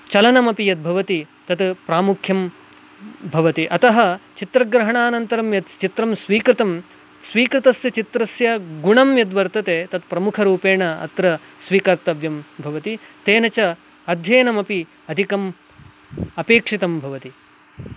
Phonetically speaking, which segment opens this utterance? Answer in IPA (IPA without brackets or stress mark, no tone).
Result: t͡ʃ